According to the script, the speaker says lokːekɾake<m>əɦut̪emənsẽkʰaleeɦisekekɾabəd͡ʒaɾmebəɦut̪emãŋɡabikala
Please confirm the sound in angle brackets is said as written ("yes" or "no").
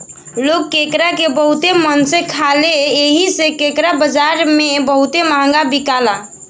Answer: no